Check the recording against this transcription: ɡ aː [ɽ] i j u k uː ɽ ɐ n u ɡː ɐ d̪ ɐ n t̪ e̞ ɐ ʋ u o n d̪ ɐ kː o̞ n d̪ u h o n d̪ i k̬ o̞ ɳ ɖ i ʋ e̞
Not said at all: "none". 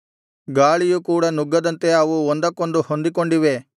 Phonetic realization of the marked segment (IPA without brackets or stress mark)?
ɭ